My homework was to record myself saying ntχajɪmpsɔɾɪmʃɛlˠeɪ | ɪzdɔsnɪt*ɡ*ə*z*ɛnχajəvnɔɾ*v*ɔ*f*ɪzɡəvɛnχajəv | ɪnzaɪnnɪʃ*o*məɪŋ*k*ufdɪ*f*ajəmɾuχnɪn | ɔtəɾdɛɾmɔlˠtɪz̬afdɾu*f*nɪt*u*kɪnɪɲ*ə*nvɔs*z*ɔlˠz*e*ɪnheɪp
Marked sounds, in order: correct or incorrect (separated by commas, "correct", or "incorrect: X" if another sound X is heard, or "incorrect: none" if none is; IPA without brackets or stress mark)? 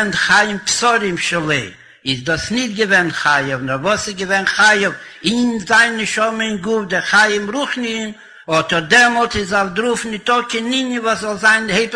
correct, incorrect: v, correct, incorrect: s, incorrect: ɔ, incorrect: ɡ, incorrect: χ, correct, incorrect: ɔ, correct, correct, incorrect: a